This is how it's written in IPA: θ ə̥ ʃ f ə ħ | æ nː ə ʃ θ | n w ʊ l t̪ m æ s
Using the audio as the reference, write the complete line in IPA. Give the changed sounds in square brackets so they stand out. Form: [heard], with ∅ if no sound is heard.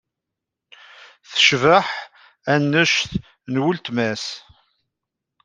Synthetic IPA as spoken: θ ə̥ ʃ [v] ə ħ | æ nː ə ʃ θ | n w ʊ l t̪ m æ s